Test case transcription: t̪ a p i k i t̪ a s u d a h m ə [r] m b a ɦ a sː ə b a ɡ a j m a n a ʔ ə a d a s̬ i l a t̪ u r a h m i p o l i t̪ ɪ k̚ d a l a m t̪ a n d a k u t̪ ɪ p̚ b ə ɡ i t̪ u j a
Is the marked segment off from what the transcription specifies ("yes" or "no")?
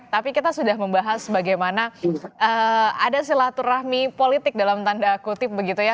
yes